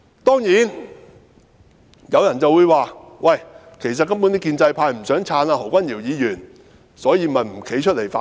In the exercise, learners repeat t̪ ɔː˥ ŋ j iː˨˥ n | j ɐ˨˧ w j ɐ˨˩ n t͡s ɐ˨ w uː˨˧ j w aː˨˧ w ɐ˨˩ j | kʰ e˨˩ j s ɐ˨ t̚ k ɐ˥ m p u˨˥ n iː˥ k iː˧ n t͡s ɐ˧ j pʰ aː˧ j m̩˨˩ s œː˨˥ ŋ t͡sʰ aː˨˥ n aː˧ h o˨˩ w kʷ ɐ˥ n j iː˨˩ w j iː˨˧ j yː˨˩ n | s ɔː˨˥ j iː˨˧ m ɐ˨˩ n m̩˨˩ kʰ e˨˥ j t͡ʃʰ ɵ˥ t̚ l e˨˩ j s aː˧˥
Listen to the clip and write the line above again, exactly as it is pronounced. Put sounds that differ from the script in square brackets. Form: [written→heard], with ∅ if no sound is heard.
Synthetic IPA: t̪ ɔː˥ ŋ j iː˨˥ n | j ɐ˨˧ w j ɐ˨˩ n t͡s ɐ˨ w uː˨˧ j w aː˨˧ w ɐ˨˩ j | kʰ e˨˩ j s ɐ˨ t̚ k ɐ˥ m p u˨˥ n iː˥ k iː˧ n t͡s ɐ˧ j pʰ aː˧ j m̩˨˩ s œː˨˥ ŋ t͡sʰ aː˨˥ n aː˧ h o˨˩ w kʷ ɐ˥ n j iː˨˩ w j iː˨˧ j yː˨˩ n | s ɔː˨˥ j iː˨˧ m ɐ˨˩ n m̩˨˩ kʰ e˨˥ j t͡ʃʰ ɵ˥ t̚ l e˨˩ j [s→f] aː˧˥